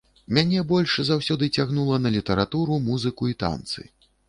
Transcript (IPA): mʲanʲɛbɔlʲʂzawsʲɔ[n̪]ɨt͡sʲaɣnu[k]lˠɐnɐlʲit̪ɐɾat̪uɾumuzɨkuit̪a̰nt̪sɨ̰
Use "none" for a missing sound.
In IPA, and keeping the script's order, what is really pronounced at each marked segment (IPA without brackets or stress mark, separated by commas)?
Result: d̪, none